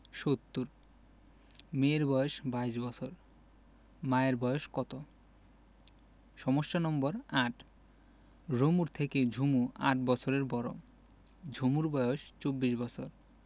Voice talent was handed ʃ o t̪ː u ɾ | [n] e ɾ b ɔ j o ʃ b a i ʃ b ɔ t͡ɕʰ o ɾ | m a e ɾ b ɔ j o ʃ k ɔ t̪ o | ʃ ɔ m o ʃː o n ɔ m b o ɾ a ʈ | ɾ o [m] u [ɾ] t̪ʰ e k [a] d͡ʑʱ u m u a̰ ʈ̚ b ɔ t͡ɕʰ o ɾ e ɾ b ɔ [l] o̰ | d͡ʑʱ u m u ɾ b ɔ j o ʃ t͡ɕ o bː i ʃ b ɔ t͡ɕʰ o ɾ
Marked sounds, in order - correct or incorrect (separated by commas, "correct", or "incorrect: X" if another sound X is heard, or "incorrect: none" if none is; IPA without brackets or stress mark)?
incorrect: m, correct, correct, incorrect: e, incorrect: ɾ